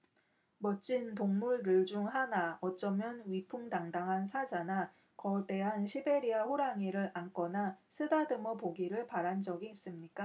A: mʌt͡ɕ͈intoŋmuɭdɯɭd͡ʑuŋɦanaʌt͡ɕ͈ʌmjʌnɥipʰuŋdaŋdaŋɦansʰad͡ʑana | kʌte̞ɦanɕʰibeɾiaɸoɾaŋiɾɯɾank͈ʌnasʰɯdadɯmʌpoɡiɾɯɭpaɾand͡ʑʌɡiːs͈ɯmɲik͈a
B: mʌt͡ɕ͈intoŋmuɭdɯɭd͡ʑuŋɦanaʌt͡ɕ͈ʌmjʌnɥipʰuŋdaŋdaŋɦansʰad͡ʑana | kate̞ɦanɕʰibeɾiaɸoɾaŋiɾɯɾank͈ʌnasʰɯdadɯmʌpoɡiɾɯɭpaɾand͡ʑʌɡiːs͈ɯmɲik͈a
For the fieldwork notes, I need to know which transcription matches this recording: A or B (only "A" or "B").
A